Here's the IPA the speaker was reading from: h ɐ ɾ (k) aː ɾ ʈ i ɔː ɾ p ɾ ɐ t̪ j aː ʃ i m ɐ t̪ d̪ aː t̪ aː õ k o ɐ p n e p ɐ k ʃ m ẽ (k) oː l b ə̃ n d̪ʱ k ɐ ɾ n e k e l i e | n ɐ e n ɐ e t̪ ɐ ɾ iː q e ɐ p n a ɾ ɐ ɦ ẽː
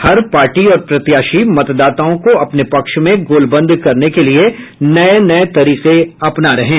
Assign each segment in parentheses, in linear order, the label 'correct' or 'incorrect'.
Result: incorrect, incorrect

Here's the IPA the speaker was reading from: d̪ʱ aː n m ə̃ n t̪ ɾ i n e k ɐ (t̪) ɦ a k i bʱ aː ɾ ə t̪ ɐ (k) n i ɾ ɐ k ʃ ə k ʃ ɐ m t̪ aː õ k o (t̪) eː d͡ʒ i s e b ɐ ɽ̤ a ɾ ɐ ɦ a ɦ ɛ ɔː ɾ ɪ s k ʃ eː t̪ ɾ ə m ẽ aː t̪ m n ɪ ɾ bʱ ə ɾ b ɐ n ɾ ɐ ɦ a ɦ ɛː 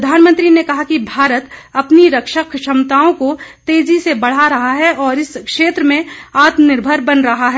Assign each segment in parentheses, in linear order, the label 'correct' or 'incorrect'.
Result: incorrect, incorrect, correct

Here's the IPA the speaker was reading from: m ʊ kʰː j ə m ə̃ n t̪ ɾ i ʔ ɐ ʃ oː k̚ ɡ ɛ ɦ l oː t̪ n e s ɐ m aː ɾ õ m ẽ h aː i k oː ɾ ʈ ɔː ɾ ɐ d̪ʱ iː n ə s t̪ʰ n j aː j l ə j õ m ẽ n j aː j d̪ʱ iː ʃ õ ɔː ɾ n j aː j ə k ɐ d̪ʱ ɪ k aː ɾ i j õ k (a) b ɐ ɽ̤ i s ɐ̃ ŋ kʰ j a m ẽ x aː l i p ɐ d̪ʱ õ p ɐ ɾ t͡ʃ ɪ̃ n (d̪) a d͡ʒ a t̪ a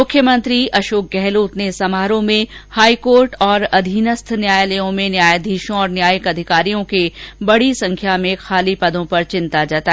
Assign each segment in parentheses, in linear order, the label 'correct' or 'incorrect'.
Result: incorrect, incorrect

